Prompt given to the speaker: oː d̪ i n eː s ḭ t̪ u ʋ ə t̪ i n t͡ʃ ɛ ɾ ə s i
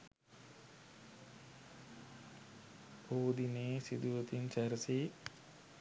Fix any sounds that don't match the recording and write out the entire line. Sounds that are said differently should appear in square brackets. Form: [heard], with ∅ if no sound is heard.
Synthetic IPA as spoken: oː d̪ i n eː s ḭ [d̪] u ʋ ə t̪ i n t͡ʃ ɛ ɾ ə s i